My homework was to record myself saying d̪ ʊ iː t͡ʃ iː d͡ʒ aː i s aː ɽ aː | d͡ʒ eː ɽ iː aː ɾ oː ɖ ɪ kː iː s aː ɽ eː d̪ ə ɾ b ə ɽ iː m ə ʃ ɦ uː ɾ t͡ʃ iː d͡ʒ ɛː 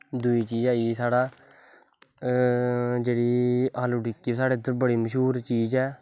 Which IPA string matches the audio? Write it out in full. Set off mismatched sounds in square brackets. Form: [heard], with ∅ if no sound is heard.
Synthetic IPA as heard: d̪ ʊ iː t͡ʃ iː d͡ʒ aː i s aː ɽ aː | d͡ʒ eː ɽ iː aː [l] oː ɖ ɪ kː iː s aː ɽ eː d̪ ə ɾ b ə ɽ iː m ə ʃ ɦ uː ɾ t͡ʃ iː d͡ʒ ɛː